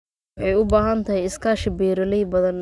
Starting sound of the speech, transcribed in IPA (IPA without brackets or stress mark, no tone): ħ